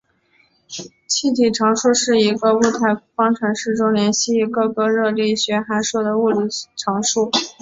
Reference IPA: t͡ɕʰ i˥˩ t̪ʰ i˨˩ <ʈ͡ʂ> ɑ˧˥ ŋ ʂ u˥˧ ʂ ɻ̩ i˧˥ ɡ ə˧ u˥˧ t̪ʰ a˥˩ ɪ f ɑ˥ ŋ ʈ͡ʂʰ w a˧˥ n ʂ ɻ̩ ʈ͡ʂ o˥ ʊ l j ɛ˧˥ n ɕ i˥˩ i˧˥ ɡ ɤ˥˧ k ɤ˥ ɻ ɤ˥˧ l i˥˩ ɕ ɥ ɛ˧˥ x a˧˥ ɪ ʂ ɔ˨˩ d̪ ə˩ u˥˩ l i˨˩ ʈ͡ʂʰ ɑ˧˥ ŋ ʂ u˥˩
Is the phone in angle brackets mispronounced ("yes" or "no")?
yes